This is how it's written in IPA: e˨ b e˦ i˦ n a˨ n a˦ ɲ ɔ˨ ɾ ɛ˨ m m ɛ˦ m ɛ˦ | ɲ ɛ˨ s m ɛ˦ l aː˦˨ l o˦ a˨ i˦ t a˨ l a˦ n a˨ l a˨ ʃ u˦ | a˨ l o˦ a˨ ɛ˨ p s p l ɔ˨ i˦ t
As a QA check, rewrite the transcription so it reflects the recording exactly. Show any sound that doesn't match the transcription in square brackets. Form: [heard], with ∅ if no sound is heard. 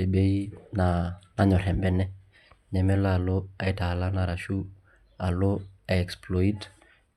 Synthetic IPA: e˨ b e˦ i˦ n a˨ n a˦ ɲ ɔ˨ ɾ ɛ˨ m [b] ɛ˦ [n] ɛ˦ | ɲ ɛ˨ [∅] m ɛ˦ l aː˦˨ l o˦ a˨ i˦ t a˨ l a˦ n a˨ [ɾ] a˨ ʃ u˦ | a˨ l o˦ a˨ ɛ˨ [k] s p l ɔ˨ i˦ t